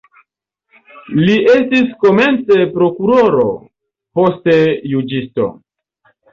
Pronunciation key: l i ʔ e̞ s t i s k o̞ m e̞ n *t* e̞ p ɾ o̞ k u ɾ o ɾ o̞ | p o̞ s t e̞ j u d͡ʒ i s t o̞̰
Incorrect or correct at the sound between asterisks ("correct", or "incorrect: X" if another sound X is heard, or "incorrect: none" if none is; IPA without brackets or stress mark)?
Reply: incorrect: t͡s